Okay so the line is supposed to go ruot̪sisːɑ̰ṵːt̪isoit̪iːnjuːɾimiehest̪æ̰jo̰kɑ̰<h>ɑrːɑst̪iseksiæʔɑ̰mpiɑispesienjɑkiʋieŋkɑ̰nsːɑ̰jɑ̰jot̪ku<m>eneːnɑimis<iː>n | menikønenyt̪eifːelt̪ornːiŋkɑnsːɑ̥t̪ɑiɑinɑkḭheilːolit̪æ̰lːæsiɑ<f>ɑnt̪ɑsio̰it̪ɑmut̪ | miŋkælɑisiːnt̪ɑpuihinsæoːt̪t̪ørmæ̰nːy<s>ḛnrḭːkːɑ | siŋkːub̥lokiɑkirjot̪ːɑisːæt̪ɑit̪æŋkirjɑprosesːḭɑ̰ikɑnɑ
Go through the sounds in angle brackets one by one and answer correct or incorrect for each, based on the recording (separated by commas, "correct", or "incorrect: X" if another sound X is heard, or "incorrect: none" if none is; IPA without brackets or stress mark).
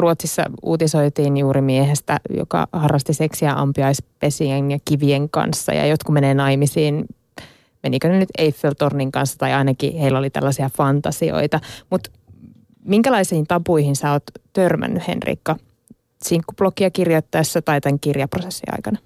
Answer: correct, correct, correct, correct, incorrect: h